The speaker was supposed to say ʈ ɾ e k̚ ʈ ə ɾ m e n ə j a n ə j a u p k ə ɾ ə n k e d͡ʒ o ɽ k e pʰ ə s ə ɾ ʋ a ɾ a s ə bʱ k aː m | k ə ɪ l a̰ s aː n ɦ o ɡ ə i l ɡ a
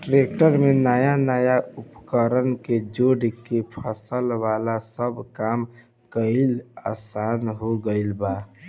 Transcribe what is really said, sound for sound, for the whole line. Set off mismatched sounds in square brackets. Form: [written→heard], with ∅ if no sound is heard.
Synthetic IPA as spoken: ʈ ɾ e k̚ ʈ ə ɾ m e n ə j a n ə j a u p k ə ɾ ə n k e d͡ʒ o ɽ k e pʰ ə s ə [ɾ→l] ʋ a [ɾ→l] a s ə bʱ k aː m | k ə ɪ l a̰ s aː n ɦ o ɡ ə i l [ɡ→b] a